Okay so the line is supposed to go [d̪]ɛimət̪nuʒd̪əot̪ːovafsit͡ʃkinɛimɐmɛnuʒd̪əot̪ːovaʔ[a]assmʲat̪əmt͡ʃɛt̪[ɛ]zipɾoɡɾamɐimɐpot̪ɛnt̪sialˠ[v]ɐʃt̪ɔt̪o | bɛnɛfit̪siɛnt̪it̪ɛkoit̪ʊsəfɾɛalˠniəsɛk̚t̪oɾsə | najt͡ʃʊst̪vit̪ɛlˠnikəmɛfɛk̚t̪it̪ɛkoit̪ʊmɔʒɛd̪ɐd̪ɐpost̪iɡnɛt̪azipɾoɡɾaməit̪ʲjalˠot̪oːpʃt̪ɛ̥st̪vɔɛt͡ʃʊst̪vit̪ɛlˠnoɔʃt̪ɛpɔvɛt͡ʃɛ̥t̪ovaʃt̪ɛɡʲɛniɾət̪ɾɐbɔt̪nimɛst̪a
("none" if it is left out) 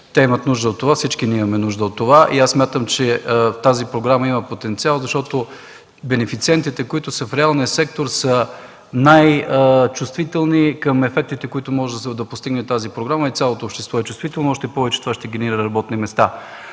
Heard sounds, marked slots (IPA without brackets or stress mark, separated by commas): t̪, i, a, z